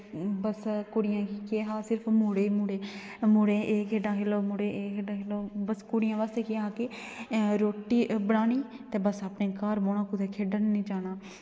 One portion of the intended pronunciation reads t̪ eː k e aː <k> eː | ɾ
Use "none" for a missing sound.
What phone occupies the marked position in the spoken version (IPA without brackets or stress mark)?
k